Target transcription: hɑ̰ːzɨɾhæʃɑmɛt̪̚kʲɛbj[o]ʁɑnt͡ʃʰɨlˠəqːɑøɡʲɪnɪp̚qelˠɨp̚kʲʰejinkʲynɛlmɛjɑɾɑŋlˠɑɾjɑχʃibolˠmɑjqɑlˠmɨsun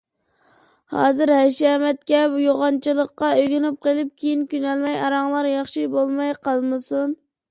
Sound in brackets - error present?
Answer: no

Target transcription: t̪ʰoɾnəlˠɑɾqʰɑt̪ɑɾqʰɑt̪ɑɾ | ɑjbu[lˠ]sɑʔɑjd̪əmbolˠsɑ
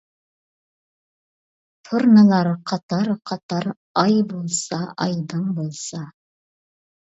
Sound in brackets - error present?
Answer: no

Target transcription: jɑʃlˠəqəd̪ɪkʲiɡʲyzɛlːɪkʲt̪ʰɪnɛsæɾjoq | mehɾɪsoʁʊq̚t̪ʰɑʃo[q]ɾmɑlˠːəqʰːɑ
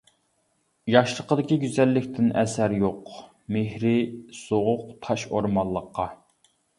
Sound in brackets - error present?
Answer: yes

